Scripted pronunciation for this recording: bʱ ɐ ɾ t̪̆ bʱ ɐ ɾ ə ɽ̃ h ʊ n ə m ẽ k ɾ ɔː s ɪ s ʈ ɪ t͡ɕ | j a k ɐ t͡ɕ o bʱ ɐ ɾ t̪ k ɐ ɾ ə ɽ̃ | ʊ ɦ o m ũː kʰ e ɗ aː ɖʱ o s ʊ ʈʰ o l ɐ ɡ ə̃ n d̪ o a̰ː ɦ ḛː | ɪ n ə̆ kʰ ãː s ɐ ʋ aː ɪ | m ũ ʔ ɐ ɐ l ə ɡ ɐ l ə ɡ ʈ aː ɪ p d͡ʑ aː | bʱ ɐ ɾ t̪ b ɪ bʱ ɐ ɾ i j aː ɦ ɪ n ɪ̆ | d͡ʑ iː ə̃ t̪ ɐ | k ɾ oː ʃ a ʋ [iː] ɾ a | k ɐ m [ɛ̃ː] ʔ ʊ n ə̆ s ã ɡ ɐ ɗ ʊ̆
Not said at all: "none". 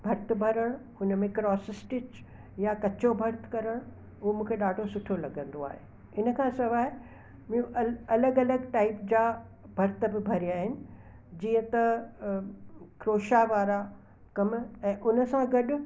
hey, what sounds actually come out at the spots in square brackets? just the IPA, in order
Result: aː, ɛ̃ː

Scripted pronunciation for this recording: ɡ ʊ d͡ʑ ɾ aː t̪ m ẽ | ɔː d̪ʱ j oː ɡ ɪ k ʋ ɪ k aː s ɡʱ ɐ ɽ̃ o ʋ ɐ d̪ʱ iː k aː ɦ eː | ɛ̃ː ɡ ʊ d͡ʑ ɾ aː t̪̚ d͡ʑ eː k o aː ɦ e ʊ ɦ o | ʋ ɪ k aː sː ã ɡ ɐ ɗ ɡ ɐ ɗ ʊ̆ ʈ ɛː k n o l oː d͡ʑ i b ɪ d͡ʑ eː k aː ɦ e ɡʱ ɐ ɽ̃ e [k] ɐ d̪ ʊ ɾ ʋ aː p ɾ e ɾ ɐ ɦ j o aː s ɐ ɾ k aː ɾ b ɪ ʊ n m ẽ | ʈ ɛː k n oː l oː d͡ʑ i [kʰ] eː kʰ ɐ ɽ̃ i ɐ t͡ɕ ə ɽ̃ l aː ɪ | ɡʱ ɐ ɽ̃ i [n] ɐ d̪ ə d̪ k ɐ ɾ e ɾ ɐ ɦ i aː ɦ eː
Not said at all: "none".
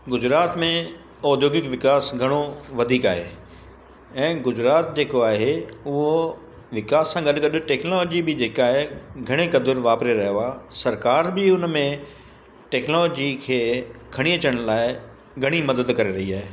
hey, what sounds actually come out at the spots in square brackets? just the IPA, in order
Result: k, kʰ, m

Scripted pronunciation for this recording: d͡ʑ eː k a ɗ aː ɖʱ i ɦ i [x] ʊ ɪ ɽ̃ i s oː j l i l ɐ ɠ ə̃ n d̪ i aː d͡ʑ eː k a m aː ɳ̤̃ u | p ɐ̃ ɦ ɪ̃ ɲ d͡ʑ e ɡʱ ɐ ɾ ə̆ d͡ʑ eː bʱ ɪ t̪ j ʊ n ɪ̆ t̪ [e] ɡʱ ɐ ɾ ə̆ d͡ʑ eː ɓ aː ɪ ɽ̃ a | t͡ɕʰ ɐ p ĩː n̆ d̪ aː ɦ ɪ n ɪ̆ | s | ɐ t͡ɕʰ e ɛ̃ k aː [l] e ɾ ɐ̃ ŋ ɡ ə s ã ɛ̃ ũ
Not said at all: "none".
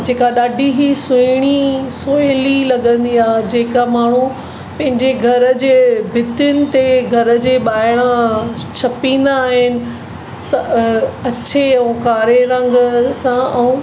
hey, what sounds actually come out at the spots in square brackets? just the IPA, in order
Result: s, e, ɾ

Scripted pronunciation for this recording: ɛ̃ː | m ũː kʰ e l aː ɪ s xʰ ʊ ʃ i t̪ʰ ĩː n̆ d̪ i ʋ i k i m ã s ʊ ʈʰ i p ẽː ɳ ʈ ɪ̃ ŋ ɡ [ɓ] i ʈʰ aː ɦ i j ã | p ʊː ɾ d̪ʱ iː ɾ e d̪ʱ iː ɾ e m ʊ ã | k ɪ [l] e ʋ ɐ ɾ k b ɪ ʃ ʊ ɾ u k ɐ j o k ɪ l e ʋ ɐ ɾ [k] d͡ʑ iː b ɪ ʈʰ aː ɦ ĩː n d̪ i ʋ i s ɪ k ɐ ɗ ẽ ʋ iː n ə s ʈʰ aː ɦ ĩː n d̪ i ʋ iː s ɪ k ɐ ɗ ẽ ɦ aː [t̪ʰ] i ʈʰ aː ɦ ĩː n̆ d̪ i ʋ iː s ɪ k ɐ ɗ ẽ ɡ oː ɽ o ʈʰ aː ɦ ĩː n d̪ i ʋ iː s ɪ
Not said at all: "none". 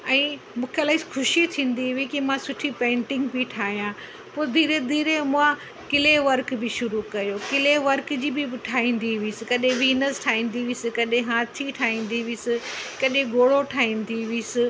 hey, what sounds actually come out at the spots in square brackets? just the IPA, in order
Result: b, l, k, t̪ʰ

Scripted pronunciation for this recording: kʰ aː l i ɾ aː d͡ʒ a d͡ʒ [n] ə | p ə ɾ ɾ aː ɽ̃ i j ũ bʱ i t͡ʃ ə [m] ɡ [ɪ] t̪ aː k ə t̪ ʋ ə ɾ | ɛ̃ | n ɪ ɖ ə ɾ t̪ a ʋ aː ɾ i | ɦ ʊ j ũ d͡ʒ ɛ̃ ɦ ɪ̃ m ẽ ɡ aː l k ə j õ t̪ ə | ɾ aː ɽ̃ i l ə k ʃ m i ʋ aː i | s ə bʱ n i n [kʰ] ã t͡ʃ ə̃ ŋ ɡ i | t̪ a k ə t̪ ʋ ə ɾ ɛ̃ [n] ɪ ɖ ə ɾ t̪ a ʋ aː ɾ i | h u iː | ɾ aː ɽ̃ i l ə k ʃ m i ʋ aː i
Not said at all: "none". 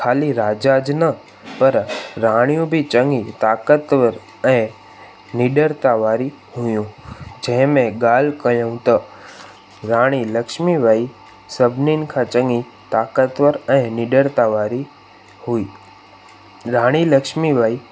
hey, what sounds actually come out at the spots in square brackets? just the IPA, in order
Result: n, ŋ, i, kʰ, n

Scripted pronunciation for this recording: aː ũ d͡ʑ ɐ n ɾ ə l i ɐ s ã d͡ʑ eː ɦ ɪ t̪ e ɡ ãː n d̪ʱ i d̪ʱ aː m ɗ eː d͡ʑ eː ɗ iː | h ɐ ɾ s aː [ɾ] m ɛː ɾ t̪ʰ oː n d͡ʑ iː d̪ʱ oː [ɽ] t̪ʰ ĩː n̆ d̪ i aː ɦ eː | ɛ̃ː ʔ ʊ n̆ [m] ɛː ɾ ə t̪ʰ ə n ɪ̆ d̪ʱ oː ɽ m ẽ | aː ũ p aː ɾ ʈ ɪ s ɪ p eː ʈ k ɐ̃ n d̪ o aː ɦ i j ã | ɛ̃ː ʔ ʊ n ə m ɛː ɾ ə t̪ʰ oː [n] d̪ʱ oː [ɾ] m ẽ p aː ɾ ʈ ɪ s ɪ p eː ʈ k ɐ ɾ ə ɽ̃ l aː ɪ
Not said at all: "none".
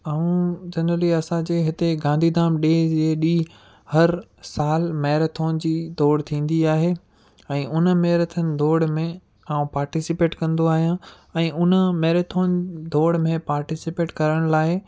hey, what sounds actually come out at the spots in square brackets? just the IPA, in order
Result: l, ɽ, m, n, ɽ

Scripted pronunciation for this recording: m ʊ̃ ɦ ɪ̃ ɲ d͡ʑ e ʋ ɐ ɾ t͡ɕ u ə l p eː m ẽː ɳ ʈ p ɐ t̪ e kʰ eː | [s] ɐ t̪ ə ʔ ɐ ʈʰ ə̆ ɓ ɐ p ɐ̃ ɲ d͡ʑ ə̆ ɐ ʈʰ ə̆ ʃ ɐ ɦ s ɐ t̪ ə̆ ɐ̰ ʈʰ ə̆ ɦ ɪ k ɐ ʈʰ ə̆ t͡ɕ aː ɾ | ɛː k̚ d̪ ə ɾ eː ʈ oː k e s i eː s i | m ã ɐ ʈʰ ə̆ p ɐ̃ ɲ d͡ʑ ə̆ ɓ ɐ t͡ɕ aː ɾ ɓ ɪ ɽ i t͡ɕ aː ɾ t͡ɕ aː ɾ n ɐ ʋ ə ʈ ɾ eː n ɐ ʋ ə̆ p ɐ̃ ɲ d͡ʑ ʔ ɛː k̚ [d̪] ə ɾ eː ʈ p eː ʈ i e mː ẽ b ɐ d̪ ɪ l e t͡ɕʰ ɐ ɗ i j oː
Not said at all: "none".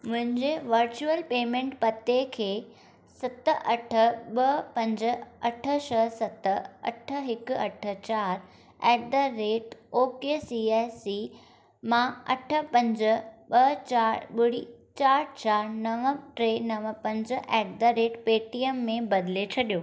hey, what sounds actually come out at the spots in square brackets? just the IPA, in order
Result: s, d̪

